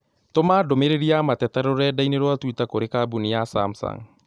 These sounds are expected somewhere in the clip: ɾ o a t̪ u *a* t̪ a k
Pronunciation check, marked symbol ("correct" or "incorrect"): incorrect